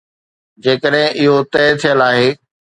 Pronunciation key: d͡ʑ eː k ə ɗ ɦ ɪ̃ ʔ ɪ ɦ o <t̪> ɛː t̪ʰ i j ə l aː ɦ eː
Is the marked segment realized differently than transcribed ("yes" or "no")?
no